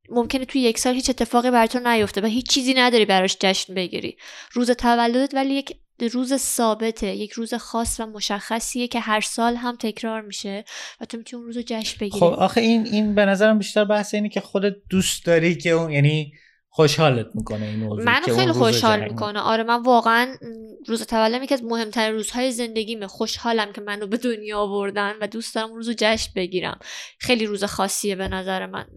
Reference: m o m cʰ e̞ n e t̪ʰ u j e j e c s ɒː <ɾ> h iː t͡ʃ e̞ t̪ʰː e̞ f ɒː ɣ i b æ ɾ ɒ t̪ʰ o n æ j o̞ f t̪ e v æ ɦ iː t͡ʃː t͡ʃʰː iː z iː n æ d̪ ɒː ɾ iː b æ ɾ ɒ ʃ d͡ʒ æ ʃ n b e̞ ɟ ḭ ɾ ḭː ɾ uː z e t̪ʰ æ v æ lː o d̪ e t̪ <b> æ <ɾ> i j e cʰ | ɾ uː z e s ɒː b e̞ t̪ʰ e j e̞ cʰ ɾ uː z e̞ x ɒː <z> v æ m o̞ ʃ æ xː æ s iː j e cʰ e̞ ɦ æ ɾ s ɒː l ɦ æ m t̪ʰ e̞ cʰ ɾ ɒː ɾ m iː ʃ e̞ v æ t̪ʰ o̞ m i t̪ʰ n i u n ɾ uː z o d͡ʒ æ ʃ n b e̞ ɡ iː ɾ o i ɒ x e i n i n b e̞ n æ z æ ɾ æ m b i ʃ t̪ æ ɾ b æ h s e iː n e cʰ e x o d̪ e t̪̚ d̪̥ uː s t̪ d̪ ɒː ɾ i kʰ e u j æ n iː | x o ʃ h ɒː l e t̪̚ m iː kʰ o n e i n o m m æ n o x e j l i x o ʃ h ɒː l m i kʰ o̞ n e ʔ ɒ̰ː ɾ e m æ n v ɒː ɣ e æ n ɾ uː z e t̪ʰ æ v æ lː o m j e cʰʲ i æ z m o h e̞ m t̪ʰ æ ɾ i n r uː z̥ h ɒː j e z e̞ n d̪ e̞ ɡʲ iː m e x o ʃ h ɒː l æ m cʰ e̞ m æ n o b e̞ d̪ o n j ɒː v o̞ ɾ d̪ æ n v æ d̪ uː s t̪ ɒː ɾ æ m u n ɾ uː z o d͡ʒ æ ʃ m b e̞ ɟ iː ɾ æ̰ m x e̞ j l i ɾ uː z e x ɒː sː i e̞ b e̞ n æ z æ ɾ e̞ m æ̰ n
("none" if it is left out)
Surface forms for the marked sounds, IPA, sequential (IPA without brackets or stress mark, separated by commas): l, v, l, s